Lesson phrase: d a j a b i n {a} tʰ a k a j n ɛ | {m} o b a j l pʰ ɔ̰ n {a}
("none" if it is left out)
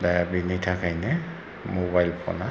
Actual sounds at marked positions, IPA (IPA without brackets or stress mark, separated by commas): i, m, a